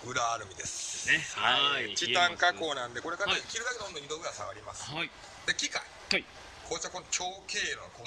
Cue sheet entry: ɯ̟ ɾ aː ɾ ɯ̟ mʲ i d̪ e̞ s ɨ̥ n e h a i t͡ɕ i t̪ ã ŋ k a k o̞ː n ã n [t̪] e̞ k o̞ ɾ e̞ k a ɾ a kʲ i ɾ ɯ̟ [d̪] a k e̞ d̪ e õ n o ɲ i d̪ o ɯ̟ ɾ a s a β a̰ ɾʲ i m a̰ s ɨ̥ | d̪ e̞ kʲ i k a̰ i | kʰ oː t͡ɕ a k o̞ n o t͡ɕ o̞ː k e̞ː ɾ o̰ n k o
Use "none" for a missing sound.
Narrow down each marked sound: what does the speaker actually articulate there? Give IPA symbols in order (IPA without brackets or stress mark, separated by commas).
d̪, d̪